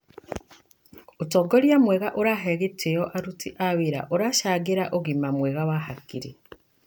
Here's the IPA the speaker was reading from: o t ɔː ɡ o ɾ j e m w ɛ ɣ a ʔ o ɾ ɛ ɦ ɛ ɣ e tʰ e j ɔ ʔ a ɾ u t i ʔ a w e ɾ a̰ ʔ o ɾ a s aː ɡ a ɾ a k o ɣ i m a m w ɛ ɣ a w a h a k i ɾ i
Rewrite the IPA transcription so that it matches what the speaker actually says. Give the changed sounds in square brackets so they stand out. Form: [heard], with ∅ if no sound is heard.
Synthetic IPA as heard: o t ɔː ɡ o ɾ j [a] m w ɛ ɣ a ʔ o ɾ [a] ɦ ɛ ɣ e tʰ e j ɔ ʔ a ɾ u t i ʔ a w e ɾ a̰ ʔ o ɾ a [ʃ] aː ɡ [e] ɾ a [ʔ] o ɣ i m a m w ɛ ɣ a w a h a k i ɾ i

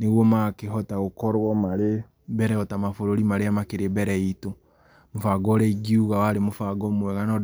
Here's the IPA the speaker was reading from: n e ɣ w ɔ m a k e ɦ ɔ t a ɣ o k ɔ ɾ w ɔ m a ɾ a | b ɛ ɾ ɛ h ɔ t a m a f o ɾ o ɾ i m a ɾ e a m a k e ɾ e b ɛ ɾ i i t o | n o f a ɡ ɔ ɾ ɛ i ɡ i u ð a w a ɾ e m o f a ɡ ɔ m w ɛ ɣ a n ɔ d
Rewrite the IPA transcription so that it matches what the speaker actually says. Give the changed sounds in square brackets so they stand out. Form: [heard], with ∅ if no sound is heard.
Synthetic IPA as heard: n e ɣ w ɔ m a k e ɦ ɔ t a ɣ o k ɔ ɾ w ɔ m a ɾ [e] | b ɛ ɾ ɛ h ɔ t a m a f o ɾ o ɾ i m a ɾ e a m a k e ɾ e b ɛ ɾ [ɛ] i t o | [m] o f a ɡ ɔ ɾ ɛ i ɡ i u [ɣ] a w a ɾ e m o f a ɡ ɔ m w ɛ ɣ a n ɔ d

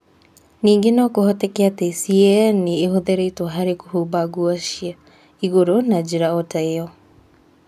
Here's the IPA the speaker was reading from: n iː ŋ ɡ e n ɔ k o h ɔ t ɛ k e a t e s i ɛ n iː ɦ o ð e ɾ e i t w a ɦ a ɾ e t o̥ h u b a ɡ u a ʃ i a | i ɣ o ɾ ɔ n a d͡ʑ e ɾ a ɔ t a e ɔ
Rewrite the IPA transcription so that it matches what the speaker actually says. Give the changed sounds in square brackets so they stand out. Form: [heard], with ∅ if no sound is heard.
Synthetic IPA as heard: n iː ŋ ɡ e n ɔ k o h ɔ t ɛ k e a t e s i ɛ n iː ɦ o ð e ɾ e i t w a ɦ a ɾ e [k] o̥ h u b a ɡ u a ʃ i a | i ɣ o ɾ [o] n a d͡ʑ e ɾ a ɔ t a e ɔ

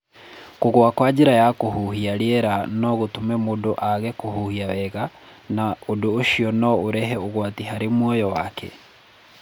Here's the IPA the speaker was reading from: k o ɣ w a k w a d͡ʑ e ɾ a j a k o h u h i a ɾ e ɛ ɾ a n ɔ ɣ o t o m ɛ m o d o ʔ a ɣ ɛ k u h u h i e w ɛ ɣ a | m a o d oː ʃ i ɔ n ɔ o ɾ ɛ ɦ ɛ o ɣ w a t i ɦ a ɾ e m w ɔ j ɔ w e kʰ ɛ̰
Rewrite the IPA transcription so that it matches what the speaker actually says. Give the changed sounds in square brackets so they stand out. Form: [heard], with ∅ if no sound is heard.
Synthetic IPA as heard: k o ɣ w a k w a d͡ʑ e ɾ a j a k o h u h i a ɾ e ɛ ɾ a n ɔ ɣ o t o m ɛ m o d o ʔ a ɣ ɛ k [o] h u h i [a] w ɛ ɣ a | [n] a o d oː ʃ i ɔ n ɔ o ɾ ɛ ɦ ɛ o ɣ w a t i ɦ a ɾ e m w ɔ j ɔ w [a] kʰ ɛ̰

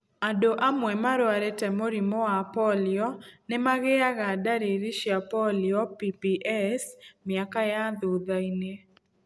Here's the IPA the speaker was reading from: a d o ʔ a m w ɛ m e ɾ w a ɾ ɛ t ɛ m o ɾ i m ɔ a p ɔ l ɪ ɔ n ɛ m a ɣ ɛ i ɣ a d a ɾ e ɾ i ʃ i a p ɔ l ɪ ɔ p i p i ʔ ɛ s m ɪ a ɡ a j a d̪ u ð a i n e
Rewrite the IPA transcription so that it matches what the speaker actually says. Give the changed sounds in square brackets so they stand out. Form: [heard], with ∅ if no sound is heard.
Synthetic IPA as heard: a d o ʔ a m w ɛ m [a] ɾ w a ɾ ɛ t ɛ m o ɾ i m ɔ a p ɔ l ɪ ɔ n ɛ m a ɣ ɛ [a] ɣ a d a ɾ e ɾ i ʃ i a p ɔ l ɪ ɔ p i p i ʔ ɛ s m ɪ a [k] a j a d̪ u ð a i n e

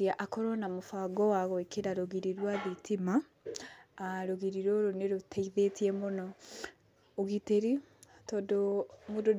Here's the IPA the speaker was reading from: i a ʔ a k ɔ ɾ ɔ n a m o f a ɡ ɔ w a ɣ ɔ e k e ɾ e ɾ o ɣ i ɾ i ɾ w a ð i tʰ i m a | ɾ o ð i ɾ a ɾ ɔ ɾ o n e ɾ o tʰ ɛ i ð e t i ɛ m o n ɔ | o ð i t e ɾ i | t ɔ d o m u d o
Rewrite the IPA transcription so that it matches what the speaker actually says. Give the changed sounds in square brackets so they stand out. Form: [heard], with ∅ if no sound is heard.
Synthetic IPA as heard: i a ʔ a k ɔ ɾ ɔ n a m o f a ɡ ɔ w a ɣ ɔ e k e ɾ [a] ɾ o ɣ i ɾ i ɾ w a ð i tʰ i m a | ɾ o [ɣ] i ɾ [i] ɾ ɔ ɾ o n e ɾ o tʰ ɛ i ð e t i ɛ m o n ɔ | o [ɣ] i t e ɾ i | t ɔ d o m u d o

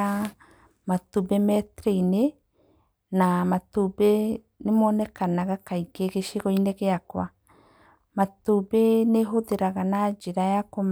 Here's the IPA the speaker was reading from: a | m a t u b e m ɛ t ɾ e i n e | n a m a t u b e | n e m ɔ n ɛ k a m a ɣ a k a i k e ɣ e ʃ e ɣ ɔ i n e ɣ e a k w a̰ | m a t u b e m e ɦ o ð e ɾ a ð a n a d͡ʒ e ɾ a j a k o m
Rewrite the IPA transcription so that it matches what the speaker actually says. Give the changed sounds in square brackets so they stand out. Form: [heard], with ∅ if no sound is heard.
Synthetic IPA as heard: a | m a t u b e m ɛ t ɾ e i n e | n a m a t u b e | n e m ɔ n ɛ k a [n] a ɣ a k a i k e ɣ e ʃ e ɣ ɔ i n e ɣ e a k w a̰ | m a t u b e [n] e ɦ o ð e ɾ a [ɣ] a n a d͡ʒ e ɾ a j a k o m

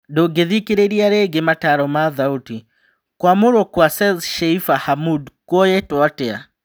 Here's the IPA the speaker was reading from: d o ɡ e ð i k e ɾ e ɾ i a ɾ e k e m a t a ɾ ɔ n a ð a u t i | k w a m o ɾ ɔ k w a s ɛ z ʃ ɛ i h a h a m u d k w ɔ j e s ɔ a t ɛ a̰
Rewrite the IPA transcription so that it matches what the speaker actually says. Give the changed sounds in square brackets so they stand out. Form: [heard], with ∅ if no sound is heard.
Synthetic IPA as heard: d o ɡ e ð i k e ɾ e ɾ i a ɾ e [ɡ] e m a t a ɾ ɔ [m] a ð a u t i | k w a m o ɾ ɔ k w a s ɛ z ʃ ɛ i [f] a h a m u d k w ɔ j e [t] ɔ a t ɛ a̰

